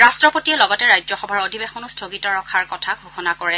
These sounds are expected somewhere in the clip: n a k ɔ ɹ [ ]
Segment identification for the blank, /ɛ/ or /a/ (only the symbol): ɛ